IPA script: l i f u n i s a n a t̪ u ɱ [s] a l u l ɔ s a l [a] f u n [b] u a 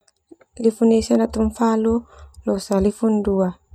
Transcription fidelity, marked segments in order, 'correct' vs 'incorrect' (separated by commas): incorrect, incorrect, incorrect